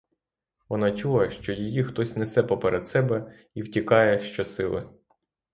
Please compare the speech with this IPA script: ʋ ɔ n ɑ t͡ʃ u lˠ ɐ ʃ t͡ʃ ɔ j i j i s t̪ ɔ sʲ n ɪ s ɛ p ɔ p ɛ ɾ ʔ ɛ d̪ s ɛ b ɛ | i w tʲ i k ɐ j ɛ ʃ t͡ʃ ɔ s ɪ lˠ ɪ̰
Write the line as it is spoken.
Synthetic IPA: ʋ ɔ n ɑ t͡ʃ u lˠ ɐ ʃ t͡ʃ ɔ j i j i x t̪ ɔ sʲ n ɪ s ɛ p ɔ p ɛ ɾ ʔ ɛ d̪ s ɛ b ɛ | i w tʲ i k ɑ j ɛ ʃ t͡ʃ ɔ s ɪ lˠ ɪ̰